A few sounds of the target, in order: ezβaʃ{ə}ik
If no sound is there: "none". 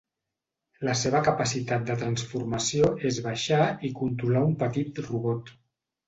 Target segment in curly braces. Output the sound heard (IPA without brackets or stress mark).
a